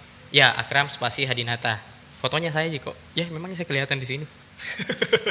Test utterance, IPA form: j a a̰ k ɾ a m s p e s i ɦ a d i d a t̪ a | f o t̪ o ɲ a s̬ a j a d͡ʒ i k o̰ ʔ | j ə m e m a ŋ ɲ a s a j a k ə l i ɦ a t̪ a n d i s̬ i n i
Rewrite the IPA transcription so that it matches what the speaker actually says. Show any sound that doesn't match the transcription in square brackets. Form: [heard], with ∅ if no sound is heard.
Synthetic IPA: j a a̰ k ɾ a m s p [a] s i ɦ a d i [n] a t̪ a | f o t̪ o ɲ a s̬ a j a d͡ʒ i k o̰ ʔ | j [a] m e m a ŋ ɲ a s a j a k ə l i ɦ a t̪ a n d i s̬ i n i